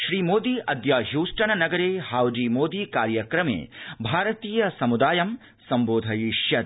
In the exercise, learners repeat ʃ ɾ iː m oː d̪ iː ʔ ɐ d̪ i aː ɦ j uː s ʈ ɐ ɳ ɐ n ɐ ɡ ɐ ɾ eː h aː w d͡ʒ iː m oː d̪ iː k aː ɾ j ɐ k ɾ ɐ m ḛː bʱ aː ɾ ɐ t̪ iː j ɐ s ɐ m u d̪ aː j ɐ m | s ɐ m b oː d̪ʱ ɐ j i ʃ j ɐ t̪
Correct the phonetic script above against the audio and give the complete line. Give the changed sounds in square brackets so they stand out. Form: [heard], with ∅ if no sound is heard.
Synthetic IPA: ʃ ɾ iː m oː d̪ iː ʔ ɐ d̪ [j] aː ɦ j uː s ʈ ɐ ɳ ɐ n ɐ ɡ ɐ ɾ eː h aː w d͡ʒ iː m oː d̪ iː k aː ɾ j ɐ k ɾ ɐ m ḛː bʱ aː ɾ ɐ t̪ iː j ɐ s ɐ m u d̪ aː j ɐ m | s ɐ m b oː d̪ʱ ɐ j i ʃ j ɐ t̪

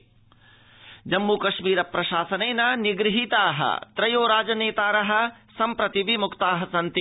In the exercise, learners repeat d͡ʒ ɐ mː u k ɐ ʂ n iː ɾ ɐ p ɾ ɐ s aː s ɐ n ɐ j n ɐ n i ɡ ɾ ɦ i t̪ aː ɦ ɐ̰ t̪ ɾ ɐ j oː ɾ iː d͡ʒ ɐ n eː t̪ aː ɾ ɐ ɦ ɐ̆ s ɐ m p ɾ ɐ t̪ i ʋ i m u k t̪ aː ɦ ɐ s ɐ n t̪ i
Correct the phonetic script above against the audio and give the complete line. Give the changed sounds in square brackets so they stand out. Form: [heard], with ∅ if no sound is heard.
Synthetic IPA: d͡ʒ ɐ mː u k ɐ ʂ [m] iː ɾ ɐ p ɾ ɐ [ʃ] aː s ɐ n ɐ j n ɐ n i ɡ ɾ ɦ i t̪ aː ɦ ɐ̰ t̪ ɾ ɐ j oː ɾ [aː] d͡ʒ ɐ n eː t̪ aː ɾ ɐ ɦ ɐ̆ s ɐ m p ɾ ɐ t̪ i ʋ i m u k t̪ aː ɦ ɐ s ɐ n t̪ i

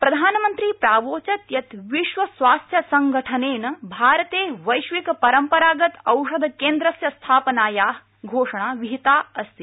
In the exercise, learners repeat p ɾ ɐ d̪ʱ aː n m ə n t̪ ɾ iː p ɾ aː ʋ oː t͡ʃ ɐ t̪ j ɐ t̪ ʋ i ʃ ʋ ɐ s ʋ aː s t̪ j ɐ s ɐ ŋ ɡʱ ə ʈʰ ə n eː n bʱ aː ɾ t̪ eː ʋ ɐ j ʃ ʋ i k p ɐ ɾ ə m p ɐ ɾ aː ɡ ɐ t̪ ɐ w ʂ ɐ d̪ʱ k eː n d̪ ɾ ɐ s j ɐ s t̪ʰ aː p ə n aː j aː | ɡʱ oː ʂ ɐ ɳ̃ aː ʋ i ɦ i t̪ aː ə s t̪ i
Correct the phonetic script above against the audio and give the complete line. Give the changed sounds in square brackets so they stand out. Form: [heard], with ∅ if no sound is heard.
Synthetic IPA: p ɾ ɐ d̪ʱ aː n m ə n t̪ ɾ iː p ɾ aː ʋ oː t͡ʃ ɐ t̪ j ɐ t̪ ʋ i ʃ ʋ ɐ s ʋ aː s [t̪ʰ] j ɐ s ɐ ŋ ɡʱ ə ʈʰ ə n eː n bʱ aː ɾ t̪ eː ʋ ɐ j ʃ ʋ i k p ɐ ɾ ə m p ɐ ɾ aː ɡ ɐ t̪ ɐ w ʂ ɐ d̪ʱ k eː n d̪ ɾ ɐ s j ɐ s t̪ʰ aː p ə n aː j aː | ɡʱ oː ʂ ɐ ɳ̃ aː ʋ i ɦ i t̪ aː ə s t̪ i

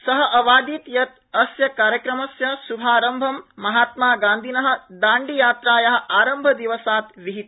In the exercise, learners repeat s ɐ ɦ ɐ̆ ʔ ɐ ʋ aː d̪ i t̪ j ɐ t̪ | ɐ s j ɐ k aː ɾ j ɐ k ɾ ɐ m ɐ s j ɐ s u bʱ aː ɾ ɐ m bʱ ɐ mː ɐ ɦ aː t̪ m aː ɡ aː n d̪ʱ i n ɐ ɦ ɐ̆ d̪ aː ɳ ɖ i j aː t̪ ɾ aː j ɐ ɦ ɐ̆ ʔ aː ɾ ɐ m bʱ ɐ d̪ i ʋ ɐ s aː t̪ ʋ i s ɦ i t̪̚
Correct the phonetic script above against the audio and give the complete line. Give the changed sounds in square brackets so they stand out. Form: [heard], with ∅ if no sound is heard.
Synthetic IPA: s ɐ ɦ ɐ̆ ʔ ɐ ʋ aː d̪ i t̪ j ɐ t̪ | ɐ s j ɐ k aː ɾ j ɐ k ɾ ɐ m ɐ s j ɐ s u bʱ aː ɾ ɐ m bʱ ɐ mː ɐ ɦ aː t̪ m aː ɡ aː n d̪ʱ i n ɐ ɦ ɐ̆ d̪ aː ɳ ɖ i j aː t̪ ɾ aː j ɐ ɦ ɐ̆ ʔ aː ɾ ɐ m bʱ ɐ d̪ i ʋ ɐ s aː t̪ ʋ i [∅] ɦ i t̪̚

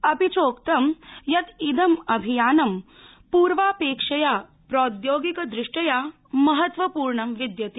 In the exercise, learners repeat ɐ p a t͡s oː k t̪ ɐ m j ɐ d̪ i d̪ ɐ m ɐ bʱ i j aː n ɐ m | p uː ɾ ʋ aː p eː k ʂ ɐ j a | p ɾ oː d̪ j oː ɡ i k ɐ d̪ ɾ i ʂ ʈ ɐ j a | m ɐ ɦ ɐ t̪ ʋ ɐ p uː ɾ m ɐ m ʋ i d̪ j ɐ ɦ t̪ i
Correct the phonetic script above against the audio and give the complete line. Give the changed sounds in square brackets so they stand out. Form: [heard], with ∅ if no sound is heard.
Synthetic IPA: ɐ p [i] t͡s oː k t̪ ɐ m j ɐ [t̪] i d̪ ɐ m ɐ bʱ i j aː n ɐ m | p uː ɾ ʋ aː p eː k ʂ ɐ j a | p ɾ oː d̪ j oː ɡ i k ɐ d̪ ɾ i ʂ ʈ ɐ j a | m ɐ ɦ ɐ t̪ ʋ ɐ p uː ɾ [ɳ] ɐ m ʋ i d̪ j ɐ [∅] t̪ i

